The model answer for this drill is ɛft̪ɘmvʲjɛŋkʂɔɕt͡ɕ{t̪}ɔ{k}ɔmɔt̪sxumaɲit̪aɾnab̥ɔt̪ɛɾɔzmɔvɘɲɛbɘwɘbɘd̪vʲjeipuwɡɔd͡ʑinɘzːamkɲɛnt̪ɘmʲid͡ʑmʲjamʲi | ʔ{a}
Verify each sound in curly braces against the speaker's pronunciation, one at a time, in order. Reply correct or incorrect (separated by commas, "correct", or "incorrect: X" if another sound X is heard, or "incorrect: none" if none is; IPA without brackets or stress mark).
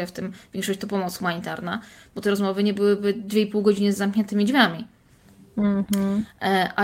correct, incorrect: p, correct